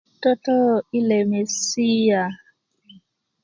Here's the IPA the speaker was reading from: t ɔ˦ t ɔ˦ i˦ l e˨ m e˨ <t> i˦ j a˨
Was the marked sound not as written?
yes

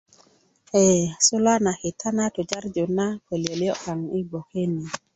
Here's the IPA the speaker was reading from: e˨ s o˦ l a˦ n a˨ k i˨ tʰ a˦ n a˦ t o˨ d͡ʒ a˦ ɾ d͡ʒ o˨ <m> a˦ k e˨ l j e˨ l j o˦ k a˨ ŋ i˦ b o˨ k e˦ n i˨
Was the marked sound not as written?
yes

